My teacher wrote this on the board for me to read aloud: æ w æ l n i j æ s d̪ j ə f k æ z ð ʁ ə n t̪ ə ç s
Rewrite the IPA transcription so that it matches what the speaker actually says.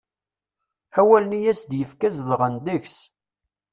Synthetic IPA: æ w æ l n i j æ s d̪ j ə f k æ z ð ʁ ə n d̪ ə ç s